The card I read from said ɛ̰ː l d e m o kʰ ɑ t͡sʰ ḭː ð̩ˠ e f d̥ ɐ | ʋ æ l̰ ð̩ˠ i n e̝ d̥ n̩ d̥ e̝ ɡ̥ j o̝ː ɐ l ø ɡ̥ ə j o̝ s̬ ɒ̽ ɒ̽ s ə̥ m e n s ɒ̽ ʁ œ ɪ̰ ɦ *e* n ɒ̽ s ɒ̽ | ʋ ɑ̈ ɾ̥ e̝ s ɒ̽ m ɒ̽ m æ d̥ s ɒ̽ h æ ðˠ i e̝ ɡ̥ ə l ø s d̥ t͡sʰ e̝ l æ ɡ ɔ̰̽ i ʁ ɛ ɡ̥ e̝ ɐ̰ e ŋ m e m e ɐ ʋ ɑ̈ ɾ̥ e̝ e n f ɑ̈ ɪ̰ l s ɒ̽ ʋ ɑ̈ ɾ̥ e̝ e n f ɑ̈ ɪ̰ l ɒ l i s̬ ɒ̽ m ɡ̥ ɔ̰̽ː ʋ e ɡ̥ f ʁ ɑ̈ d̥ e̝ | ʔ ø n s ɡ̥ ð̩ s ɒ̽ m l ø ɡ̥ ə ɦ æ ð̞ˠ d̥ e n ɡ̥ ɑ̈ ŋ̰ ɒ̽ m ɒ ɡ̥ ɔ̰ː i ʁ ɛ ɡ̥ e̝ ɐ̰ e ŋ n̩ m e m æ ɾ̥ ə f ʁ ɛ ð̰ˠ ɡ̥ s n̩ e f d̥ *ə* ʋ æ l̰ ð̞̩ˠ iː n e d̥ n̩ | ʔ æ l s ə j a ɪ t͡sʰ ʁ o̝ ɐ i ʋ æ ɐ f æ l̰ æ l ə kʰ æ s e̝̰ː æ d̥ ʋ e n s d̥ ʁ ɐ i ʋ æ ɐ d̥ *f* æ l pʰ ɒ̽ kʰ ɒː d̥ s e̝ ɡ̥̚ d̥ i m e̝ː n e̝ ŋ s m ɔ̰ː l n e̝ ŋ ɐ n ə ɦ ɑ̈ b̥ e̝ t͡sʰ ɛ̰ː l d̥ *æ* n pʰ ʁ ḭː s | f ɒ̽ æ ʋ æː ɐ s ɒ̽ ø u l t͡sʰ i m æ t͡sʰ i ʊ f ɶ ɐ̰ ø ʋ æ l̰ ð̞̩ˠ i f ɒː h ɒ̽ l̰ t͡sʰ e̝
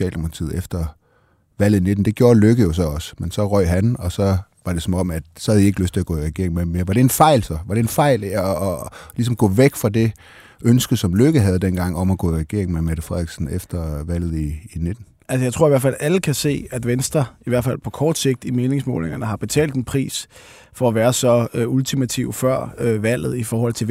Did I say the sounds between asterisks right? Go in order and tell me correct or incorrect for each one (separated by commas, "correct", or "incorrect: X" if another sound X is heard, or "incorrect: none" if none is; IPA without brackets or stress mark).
incorrect: æ, incorrect: ɐ, correct, incorrect: e